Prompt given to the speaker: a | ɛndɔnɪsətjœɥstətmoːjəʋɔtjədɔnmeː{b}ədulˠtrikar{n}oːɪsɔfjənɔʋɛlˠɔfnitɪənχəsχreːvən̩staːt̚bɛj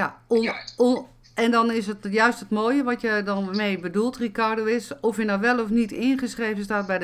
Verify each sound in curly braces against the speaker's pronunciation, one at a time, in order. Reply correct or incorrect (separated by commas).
correct, incorrect